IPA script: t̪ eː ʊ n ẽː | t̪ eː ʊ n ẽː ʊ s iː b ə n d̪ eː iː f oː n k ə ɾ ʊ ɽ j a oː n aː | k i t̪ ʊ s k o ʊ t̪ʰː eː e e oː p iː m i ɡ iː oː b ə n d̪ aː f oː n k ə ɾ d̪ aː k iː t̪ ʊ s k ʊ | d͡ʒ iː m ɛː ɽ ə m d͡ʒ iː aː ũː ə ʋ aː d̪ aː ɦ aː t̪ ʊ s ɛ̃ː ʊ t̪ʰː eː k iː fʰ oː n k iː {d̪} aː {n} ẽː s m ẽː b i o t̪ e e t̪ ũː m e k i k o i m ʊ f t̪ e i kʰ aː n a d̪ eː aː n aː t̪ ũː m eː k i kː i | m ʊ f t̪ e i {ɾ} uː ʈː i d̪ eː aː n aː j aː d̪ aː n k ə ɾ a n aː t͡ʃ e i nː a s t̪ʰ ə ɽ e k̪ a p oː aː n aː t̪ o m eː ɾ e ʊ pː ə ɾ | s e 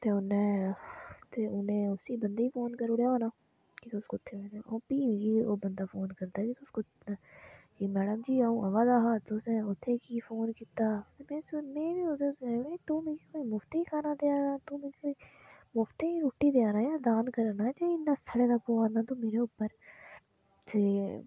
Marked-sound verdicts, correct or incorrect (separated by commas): incorrect, incorrect, correct